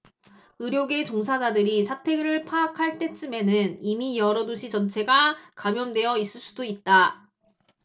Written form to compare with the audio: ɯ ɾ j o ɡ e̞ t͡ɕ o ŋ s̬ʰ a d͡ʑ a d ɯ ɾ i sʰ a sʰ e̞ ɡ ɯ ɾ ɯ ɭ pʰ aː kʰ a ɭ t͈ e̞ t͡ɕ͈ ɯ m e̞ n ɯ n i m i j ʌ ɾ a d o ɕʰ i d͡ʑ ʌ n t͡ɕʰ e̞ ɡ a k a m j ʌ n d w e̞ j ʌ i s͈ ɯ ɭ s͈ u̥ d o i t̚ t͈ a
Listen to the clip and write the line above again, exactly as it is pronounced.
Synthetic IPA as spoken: ɯ ɾ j o ɡ e̞ t͡ɕ o ŋ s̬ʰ a d͡ʑ a d ɯ ɾ i sʰ a tʰ e̞ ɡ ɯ ɾ ɯ ɭ pʰ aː kʰ a ɭ t͈ e̞ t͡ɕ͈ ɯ m e̞ n ɯ n i m i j ʌ ɾ ʌ d o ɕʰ i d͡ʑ ʌ n t͡ɕʰ e̞ ɡ a k a m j ʌ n d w e̞ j ʌ i s͈ ɯ ɭ s͈ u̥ d o i t̚ t͈ a